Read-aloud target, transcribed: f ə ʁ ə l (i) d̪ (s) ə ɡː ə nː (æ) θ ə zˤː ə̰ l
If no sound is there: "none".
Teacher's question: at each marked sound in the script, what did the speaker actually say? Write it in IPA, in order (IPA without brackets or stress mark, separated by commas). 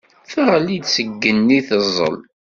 i, s, i